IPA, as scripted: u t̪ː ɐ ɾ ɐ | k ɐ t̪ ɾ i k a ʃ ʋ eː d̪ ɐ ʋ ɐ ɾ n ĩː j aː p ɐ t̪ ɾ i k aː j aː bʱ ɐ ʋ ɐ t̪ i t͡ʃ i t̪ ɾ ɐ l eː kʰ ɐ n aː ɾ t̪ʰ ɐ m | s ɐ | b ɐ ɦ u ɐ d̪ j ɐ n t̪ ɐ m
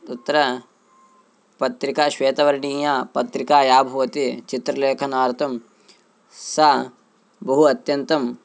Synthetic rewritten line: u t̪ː ɐ ɾ ɐ | p ɐ t̪ ɾ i k a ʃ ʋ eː t̪ ɐ ʋ ɐ ɾ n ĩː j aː p ɐ t̪ ɾ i k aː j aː bʱ ɐ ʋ ɐ t̪ i t͡ʃ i t̪ ɾ ɐ l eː kʰ ɐ n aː ɾ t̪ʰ ɐ m | s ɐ | b ɐ ɦ u ɐ t̪ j ɐ n t̪ ɐ m